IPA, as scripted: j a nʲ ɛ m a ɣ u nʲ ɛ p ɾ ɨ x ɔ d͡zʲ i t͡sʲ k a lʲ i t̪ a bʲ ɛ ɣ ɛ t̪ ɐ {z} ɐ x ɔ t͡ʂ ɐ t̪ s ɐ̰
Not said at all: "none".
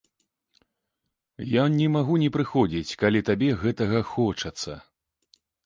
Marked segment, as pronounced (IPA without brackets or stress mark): ɣ